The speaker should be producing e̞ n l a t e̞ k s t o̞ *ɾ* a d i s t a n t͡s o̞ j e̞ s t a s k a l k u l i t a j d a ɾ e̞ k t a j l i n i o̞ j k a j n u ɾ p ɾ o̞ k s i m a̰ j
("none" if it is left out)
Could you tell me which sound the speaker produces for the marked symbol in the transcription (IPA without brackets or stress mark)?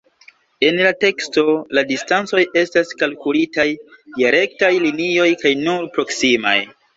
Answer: l